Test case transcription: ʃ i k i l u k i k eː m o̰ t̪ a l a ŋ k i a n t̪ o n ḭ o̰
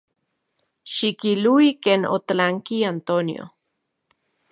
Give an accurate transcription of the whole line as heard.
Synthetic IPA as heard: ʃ i k i l u i k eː n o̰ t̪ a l a ŋ k i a n t̪ o n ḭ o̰